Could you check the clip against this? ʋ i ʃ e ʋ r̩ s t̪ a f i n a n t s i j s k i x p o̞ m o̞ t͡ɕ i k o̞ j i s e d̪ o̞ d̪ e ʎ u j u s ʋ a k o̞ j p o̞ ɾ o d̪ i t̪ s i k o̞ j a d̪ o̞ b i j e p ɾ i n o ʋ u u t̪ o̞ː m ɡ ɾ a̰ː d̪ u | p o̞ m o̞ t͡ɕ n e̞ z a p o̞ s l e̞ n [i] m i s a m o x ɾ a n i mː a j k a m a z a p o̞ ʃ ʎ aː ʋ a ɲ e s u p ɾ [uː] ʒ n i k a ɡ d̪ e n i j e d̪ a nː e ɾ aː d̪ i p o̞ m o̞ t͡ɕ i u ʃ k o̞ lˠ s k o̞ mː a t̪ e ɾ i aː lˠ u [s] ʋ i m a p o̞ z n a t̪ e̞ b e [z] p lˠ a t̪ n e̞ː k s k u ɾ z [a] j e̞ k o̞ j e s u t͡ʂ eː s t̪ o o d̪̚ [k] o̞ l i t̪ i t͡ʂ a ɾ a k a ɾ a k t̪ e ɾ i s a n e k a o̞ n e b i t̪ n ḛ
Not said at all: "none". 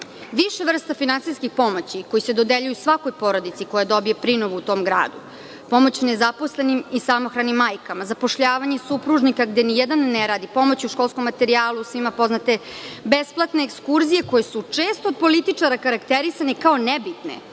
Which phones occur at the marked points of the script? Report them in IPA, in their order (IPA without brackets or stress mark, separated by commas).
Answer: i, u, s, s, i, p